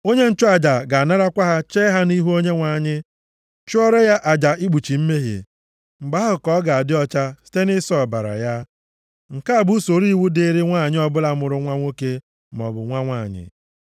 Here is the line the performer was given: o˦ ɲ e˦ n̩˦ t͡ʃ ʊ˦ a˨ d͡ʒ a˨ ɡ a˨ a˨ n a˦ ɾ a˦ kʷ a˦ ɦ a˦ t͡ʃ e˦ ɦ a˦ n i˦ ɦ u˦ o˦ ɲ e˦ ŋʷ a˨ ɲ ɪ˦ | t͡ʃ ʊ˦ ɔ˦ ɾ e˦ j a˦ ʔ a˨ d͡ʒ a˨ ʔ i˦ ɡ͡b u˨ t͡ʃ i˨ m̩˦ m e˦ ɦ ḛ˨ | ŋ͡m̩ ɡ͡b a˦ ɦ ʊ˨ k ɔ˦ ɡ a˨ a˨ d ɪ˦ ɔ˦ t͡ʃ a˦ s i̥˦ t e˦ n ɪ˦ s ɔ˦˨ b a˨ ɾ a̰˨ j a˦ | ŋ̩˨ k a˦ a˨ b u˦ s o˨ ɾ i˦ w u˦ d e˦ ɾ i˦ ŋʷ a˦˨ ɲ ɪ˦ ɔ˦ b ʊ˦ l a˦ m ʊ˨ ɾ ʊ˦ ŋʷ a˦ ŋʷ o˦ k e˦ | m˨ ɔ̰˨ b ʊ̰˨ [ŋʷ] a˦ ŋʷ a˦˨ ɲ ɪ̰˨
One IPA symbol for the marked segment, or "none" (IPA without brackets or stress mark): ŋʷ